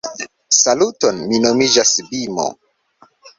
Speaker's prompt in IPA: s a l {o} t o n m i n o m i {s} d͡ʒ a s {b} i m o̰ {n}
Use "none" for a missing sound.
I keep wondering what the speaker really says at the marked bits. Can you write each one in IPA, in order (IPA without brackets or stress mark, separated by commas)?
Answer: u, none, b, none